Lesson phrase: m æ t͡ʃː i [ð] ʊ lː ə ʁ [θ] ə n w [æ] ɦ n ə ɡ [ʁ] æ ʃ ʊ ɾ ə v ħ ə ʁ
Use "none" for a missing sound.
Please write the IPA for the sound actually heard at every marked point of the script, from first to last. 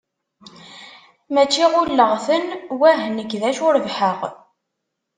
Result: ʁ, θ, æ, ð

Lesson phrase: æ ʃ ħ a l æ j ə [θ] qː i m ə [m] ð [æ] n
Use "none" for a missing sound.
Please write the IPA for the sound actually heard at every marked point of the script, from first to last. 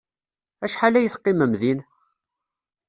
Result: θ, m, i

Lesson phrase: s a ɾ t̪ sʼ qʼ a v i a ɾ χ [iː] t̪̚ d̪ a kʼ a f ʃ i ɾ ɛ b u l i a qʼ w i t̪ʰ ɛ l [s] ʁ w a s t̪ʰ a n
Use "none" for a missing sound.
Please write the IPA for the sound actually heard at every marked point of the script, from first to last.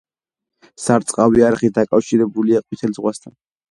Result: i, z

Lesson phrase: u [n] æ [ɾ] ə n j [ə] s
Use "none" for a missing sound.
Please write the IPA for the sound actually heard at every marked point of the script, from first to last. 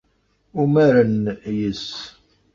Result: m, ɾ, ə

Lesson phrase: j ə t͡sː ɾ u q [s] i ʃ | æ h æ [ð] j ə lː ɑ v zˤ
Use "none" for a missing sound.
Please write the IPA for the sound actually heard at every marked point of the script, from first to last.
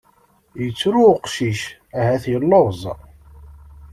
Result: ʃ, θ

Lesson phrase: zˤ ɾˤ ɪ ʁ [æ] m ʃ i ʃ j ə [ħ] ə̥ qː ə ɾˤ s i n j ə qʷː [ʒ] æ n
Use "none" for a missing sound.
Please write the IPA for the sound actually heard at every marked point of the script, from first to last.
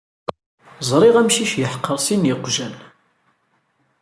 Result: æ, ħ, ʒ

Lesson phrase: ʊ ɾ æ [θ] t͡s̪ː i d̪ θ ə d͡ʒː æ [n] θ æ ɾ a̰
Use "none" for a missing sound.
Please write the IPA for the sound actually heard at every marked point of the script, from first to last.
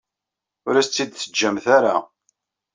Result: s, m

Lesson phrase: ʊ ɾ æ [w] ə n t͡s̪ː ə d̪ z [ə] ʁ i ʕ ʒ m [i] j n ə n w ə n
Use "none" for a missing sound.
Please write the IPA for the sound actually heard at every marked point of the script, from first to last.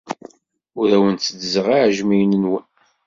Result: w, ə, i

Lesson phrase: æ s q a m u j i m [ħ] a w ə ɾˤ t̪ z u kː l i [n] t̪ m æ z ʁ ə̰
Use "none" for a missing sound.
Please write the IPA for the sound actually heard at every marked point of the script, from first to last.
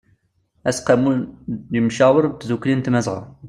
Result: ʃ, n

